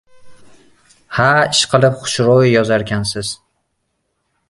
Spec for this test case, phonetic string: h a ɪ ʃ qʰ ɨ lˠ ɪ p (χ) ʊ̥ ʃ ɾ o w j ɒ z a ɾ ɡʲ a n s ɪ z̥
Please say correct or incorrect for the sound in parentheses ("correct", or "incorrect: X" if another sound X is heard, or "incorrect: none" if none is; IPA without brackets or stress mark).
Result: correct